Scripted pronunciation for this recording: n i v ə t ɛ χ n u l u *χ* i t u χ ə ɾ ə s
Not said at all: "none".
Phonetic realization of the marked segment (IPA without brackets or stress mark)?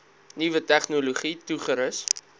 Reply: χ